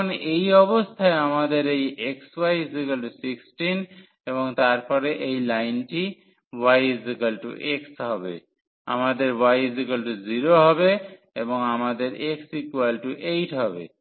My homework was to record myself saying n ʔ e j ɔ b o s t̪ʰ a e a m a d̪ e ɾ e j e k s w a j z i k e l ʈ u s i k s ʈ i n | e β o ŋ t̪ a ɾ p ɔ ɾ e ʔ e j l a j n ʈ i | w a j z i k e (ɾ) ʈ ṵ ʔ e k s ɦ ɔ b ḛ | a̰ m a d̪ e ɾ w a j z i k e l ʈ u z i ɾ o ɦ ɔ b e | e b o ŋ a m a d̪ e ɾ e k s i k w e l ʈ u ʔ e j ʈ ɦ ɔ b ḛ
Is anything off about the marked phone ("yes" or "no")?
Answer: yes